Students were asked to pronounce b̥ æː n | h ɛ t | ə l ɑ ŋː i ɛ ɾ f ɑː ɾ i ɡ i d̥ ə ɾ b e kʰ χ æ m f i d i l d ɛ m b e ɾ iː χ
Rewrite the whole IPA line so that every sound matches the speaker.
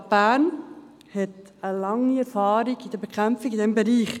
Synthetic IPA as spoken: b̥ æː n | h ɛ t | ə l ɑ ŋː i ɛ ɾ f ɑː ɾ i ɡ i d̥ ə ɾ b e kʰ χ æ m f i ɡ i d ɛ m b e ɾ iː χ